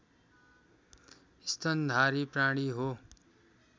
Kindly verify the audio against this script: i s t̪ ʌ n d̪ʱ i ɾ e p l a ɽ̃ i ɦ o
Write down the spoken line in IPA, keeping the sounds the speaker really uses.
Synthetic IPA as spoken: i s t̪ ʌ n d̪ʱ a ɾ i p r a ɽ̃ i ɦ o